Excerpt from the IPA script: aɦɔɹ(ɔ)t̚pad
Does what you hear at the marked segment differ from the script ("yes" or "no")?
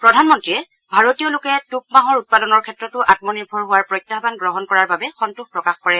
yes